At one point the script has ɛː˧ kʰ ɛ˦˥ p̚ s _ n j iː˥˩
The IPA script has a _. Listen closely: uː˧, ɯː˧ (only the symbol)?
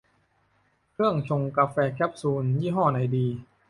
uː˧